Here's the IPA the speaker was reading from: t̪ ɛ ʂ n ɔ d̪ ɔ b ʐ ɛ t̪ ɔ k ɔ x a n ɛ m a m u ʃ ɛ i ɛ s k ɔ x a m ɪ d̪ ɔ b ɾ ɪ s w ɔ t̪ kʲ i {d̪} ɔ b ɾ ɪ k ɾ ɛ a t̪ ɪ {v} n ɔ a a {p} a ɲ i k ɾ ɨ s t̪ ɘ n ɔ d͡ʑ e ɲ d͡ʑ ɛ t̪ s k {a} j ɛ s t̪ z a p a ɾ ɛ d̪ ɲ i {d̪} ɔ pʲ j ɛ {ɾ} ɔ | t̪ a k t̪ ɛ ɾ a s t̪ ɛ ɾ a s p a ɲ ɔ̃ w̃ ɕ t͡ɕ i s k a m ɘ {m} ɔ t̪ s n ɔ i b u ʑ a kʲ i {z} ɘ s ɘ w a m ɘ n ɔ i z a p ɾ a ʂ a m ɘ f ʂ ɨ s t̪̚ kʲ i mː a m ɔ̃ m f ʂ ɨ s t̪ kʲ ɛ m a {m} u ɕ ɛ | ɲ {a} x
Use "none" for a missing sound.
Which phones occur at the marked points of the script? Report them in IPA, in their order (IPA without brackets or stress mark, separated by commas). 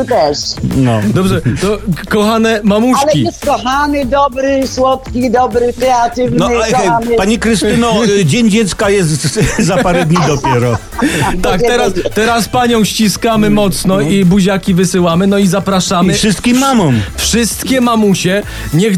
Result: d̪, v, p, a, d̪, ɾ, m, v, m, ɛ